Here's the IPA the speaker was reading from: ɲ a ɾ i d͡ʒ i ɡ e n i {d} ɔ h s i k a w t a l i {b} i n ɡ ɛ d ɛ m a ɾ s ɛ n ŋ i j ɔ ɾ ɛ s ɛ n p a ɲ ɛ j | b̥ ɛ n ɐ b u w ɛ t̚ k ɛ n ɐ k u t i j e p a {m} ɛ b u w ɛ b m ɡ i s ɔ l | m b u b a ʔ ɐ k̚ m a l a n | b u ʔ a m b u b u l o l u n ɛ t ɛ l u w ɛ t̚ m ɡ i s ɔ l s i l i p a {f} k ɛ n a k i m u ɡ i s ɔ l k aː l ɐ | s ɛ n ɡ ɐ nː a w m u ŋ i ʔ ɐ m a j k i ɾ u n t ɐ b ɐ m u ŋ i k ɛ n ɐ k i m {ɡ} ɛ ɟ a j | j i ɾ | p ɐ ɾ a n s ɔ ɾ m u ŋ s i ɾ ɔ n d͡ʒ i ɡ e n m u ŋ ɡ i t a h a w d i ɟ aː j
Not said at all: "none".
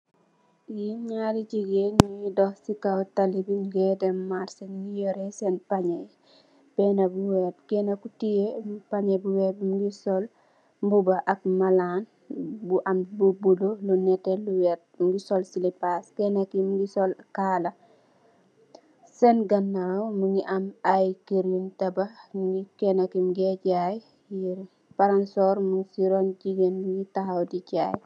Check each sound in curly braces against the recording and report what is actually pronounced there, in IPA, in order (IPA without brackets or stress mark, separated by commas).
d, b, ɲ, s, ɡ